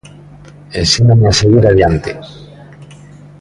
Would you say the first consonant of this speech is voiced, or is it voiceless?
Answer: voiced